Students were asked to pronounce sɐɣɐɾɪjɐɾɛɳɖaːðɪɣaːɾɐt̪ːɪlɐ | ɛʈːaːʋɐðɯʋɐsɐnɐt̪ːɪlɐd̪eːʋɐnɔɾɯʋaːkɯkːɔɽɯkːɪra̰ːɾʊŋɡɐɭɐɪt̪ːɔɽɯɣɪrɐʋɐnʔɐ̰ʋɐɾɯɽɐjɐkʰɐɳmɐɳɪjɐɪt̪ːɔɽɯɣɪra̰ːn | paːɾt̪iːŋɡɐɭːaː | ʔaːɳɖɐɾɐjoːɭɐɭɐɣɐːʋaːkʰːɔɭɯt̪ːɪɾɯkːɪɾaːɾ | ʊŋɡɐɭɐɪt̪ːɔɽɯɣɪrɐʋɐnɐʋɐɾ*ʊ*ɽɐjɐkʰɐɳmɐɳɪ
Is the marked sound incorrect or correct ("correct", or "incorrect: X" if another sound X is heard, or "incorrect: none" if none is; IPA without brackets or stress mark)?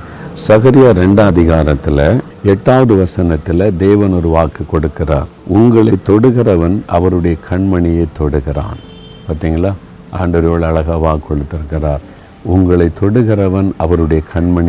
incorrect: ɯ